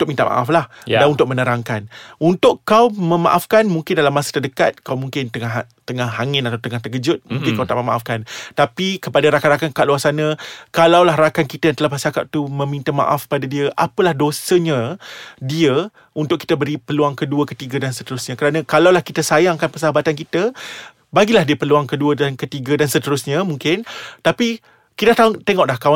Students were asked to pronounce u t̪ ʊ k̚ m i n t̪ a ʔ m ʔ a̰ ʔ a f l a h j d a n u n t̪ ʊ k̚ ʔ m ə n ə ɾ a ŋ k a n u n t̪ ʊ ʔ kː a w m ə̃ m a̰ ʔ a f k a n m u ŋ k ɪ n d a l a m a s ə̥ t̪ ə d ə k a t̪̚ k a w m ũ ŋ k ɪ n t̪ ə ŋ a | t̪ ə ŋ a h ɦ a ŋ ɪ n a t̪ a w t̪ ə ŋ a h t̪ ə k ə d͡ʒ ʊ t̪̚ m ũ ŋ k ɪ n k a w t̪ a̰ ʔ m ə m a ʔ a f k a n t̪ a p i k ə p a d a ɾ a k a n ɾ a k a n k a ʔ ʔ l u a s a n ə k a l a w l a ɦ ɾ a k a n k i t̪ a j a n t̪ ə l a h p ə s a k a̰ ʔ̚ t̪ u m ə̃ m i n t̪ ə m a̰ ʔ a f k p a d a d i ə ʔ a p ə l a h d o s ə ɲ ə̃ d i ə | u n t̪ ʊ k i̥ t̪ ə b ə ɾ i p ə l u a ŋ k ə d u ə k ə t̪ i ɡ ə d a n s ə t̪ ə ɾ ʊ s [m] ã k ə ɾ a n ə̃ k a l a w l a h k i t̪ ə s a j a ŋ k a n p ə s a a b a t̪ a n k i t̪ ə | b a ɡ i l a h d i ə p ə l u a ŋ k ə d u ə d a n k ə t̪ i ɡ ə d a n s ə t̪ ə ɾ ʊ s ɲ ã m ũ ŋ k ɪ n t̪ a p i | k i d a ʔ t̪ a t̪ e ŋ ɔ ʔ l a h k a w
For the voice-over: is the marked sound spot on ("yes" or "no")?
no